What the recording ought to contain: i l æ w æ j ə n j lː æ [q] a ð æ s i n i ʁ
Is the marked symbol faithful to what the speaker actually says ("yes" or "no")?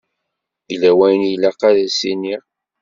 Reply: yes